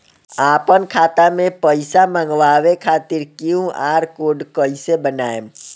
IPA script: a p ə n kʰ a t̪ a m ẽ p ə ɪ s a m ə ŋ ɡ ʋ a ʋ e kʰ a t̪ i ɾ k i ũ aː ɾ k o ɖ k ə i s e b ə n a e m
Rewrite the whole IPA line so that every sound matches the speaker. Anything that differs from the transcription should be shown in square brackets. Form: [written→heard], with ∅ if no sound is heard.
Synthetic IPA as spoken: a p ə n kʰ a t̪ a m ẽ p ə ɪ s a m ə ŋ ɡ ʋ a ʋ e kʰ a t̪ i ɾ k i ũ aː ɾ k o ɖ k ə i s e b ə n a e m